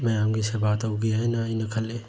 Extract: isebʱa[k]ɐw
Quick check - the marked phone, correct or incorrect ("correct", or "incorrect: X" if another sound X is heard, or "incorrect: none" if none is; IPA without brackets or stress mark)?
incorrect: t